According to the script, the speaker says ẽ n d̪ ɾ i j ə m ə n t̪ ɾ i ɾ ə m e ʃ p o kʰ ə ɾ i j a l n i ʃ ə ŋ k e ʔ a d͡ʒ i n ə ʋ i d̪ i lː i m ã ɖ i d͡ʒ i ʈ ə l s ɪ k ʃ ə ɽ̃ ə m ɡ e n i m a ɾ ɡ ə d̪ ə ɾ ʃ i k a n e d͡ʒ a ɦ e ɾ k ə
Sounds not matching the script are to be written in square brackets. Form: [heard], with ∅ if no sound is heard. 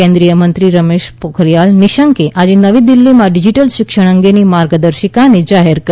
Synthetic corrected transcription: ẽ n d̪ ɾ i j ə m ə n t̪ ɾ i ɾ ə m e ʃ p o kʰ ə ɾ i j a l n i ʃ ə ŋ k e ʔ a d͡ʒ [e] n ə ʋ i d̪ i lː i m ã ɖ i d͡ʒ i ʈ ə l [ʃ] ɪ k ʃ ə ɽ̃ ə [ŋ] ɡ e n i m a ɾ ɡ ə d̪ ə ɾ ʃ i k a n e d͡ʒ a ɦ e ɾ k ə